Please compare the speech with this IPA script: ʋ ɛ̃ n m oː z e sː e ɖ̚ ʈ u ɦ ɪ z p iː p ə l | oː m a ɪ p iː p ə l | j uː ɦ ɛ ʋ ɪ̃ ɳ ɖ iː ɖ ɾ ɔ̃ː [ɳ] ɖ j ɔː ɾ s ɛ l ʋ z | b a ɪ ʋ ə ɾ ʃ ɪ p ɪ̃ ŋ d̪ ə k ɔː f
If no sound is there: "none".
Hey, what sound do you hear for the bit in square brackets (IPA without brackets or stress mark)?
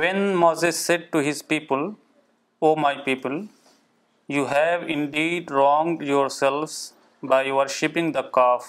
ŋ